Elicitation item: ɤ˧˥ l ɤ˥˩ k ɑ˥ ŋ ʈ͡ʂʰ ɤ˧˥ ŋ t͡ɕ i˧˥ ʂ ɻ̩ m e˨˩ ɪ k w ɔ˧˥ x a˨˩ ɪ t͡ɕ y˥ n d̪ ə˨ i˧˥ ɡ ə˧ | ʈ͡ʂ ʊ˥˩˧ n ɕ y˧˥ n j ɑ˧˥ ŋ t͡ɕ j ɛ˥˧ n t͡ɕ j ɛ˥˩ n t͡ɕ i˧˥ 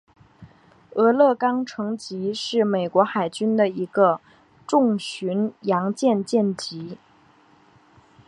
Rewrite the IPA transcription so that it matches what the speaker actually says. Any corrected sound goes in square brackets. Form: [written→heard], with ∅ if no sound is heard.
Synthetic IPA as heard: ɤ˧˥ l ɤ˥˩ k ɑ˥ ŋ ʈ͡ʂʰ ɤ˧˥ ŋ t͡ɕ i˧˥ ʂ ɻ̩ m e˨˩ ɪ k w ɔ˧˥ x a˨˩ ɪ t͡ɕ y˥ n d̪ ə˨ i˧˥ ɡ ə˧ | ʈ͡ʂ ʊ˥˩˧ [n→ŋ] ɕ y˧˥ n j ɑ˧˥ ŋ t͡ɕ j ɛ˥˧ n t͡ɕ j ɛ˥˩ n t͡ɕ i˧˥